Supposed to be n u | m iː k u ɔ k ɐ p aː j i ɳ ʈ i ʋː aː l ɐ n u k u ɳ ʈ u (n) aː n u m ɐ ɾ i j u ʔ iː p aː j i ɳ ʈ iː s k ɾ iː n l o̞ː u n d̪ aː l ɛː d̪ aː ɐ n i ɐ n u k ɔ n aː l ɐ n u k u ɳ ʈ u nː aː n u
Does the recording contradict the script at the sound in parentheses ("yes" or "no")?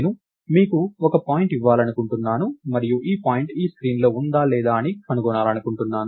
yes